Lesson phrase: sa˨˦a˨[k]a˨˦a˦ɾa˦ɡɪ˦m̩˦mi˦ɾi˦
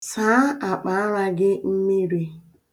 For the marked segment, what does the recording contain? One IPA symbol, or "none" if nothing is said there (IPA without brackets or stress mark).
k͡p